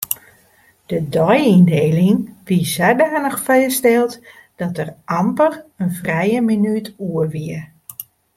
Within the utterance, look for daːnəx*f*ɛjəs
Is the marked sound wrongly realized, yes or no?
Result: no